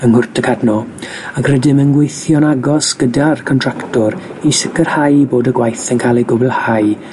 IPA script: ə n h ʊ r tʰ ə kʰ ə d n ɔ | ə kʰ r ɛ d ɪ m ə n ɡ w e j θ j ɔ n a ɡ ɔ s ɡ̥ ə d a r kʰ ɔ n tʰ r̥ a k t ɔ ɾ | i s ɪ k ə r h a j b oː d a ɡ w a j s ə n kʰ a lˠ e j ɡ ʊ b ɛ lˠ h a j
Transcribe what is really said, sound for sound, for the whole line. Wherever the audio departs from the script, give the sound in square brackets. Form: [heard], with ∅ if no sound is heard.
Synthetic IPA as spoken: ə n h ʊ r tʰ ə kʰ [a] d n ɔ | [a] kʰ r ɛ d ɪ m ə n ɡ w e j θ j ɔ n a ɡ ɔ s ɡ̥ ə d a r kʰ ɔ n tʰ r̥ a k t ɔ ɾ | i s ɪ k ə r h a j b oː d [ə] ɡ w a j [θ] ə n kʰ a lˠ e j ɡ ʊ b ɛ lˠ h a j